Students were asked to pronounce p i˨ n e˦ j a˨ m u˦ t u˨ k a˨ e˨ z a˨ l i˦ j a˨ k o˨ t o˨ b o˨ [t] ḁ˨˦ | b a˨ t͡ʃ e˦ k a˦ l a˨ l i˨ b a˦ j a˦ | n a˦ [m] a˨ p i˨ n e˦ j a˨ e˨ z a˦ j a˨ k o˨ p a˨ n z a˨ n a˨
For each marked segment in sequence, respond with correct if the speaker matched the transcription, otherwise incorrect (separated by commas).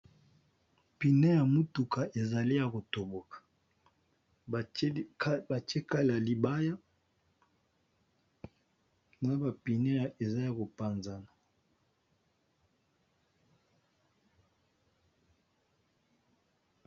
incorrect, incorrect